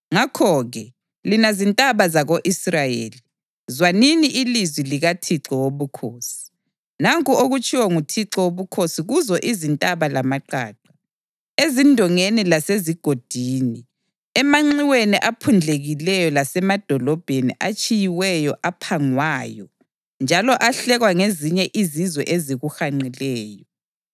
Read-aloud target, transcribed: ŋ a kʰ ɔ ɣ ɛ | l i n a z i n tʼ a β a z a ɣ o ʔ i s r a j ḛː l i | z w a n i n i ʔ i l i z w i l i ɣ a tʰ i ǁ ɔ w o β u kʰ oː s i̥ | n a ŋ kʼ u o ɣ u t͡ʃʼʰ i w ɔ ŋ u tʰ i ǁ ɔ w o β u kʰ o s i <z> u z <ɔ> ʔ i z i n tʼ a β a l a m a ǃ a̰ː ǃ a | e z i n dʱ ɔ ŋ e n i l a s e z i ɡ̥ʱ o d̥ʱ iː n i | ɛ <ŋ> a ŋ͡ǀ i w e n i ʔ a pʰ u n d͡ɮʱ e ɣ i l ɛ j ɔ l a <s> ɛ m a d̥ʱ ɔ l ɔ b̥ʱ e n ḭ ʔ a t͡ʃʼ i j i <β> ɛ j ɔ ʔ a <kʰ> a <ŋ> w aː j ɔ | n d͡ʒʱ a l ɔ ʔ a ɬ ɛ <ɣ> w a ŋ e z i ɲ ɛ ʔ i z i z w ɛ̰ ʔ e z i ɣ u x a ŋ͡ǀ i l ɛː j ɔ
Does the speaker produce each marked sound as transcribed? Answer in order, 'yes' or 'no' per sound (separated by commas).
no, yes, no, yes, no, no, yes, yes